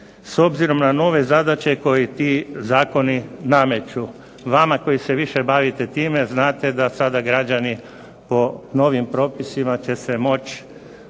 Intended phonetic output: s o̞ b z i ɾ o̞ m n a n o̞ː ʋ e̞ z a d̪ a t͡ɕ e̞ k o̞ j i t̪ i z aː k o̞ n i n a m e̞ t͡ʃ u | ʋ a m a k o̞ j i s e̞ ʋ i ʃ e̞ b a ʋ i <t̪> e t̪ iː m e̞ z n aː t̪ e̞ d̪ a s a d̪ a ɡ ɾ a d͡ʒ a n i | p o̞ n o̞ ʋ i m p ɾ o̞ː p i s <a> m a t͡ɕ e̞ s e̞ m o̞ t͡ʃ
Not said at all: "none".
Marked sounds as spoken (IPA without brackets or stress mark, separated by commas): t̪, i